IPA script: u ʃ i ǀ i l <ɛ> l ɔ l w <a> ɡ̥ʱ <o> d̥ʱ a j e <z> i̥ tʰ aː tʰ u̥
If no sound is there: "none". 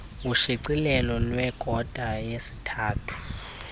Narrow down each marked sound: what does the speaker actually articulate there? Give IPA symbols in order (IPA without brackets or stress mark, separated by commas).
ɛ, ɛ, ɔ, s